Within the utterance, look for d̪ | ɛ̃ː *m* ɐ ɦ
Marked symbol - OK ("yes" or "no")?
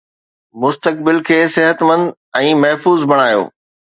yes